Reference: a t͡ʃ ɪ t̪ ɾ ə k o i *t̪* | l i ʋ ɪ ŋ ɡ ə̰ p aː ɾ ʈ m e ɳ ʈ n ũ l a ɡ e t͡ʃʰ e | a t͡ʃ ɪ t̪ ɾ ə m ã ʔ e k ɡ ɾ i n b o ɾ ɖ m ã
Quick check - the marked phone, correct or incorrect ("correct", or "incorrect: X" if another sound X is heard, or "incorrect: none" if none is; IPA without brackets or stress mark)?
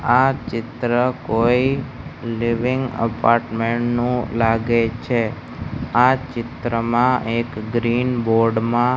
incorrect: none